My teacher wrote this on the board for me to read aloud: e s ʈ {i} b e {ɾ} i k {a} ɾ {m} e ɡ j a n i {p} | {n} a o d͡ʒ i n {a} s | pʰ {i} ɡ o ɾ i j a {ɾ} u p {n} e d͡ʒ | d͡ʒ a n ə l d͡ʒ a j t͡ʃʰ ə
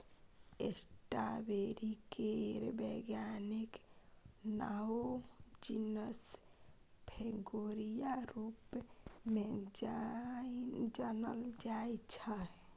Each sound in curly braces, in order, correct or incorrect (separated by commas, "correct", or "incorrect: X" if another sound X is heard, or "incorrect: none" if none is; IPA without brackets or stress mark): incorrect: a, correct, incorrect: e, incorrect: b, incorrect: k, correct, incorrect: ə, incorrect: e, correct, incorrect: m